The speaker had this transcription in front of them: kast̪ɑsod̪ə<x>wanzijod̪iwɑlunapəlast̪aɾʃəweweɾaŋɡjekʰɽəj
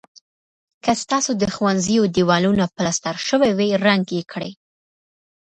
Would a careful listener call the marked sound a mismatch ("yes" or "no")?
no